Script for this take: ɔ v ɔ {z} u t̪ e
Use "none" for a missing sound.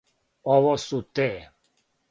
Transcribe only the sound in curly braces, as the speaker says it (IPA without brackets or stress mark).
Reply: s